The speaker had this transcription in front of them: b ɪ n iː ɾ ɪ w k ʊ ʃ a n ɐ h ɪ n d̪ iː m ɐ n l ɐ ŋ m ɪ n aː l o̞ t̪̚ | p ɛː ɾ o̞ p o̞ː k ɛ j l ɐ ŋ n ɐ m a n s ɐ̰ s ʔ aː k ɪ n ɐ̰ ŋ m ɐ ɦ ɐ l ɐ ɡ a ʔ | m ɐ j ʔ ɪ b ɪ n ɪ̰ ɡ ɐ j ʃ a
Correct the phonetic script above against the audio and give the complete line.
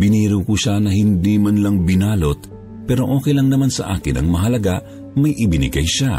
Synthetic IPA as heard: b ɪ n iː ɾ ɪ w k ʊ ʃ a n ɐ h ɪ n d̪ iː m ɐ n l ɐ ŋ b ɪ n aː l o̞ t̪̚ | p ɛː ɾ o̞ ʔ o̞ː k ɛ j l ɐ ŋ n ɐ m a n s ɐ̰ ʔ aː k ɪ n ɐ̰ ŋ m ɐ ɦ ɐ l ɐ ɡ a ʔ | m ɐ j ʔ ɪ b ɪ n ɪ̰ ɡ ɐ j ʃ a